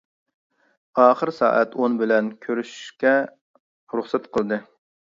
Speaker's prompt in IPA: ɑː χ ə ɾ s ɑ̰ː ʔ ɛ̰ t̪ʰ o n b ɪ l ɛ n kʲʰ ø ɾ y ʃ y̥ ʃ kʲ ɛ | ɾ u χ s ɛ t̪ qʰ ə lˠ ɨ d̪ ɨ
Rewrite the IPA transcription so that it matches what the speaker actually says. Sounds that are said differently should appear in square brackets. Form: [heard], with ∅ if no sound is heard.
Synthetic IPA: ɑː χ ə ɾ s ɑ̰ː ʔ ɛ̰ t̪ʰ o n b ɪ l ɛ n kʲʰ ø ɾ y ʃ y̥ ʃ kʲ ɛ | ɾ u χ s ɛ t̪ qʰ ə lˠ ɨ d̪ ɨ